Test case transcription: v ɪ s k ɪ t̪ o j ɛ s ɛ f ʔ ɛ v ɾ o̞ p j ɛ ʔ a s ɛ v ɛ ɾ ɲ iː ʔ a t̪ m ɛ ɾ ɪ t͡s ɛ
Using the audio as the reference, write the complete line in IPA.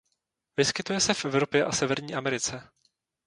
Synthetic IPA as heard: v ɪ s k ɪ t̪ u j ɛ s ɛ f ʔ ɛ v ɾ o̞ p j ɛ ʔ a s ɛ v ɛ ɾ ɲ iː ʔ a m ɛ ɾ ɪ t͡s ɛ